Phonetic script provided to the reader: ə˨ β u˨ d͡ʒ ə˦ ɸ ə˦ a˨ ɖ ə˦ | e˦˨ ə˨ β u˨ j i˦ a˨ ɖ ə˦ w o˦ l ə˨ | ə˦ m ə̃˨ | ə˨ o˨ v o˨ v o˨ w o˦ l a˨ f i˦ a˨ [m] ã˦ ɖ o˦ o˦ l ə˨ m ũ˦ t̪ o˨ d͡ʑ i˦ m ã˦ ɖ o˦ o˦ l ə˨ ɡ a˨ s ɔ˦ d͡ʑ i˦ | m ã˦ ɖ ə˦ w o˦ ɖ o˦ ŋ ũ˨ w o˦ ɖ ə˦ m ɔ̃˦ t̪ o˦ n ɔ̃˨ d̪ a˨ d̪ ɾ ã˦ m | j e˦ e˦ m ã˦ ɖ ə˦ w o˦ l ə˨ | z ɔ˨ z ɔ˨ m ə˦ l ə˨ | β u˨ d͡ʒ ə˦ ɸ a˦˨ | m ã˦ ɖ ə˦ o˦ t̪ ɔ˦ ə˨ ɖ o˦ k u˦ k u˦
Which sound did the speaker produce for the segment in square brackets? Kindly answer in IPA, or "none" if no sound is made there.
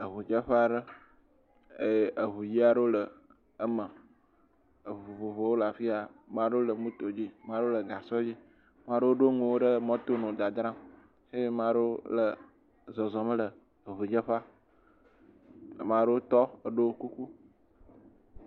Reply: m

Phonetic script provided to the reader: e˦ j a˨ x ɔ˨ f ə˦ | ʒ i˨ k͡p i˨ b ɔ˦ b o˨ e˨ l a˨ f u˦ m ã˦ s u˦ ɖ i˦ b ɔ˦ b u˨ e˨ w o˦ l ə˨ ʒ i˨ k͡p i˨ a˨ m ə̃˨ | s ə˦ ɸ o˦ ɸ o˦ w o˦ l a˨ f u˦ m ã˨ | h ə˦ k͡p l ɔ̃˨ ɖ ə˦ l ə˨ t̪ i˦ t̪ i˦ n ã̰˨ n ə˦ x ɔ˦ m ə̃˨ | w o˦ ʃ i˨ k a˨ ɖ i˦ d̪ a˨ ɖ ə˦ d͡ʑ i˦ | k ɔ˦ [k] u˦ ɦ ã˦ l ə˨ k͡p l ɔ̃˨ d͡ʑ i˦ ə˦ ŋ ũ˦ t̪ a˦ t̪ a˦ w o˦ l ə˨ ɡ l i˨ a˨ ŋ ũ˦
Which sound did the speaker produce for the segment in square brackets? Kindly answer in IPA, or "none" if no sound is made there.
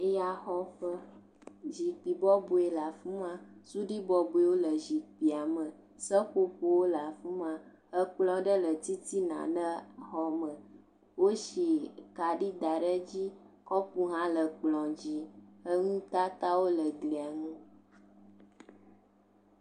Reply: p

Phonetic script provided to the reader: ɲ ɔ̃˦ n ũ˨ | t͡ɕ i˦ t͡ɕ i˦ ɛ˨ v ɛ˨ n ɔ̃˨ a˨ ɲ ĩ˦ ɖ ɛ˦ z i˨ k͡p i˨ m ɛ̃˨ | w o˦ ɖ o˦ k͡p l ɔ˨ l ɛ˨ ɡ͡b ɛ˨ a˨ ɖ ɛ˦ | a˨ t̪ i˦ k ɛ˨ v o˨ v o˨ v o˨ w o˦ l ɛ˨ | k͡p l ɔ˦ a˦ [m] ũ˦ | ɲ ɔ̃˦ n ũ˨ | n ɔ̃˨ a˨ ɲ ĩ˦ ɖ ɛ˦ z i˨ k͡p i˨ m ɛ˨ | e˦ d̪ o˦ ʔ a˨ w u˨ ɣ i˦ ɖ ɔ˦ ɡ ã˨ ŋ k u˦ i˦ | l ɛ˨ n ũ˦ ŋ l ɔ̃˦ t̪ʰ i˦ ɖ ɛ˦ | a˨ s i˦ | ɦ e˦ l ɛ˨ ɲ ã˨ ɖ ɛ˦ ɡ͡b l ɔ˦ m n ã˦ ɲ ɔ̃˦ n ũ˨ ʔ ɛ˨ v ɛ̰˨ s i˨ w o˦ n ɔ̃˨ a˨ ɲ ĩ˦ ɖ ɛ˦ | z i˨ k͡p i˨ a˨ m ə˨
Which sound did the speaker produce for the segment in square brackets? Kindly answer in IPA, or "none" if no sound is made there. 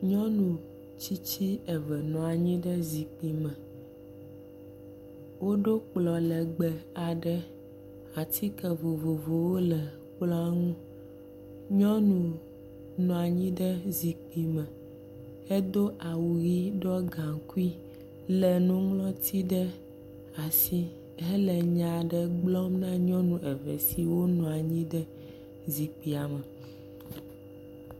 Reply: ŋ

